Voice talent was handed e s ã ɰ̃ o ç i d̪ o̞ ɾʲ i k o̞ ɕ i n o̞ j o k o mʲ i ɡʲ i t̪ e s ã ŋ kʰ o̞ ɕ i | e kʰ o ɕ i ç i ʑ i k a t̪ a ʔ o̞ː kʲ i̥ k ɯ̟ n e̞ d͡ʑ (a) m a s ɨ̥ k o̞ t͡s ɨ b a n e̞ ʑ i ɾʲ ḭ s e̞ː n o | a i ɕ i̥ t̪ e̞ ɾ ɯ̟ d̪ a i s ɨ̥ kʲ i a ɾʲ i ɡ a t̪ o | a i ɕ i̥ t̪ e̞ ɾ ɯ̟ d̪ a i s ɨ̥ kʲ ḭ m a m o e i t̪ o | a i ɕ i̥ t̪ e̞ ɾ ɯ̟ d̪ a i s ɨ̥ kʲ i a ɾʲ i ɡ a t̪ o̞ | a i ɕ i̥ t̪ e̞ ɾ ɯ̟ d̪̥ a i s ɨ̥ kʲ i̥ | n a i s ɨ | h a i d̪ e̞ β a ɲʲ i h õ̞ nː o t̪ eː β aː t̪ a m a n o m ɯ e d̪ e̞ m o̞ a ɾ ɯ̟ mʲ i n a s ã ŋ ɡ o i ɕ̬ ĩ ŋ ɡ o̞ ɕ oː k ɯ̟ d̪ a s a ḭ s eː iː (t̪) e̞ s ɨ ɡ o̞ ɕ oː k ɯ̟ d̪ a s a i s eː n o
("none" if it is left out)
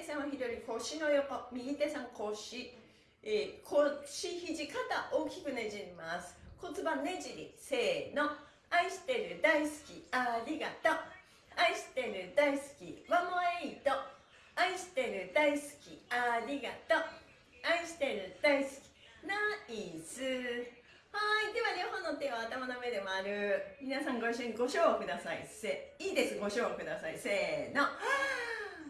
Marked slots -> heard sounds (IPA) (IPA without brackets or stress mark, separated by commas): i, d̪